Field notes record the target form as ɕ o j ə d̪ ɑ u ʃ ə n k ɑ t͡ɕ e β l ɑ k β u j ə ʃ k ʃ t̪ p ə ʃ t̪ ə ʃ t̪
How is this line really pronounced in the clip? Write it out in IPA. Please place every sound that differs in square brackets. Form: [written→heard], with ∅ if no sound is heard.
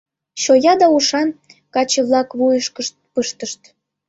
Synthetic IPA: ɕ o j [ə→ɑ] d̪ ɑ u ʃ [ə→ɑ] n k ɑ t͡ɕ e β l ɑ k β u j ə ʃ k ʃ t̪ p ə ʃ t̪ ə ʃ t̪